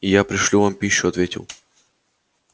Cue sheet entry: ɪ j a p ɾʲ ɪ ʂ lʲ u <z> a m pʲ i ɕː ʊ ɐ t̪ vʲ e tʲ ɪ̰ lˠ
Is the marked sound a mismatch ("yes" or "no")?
yes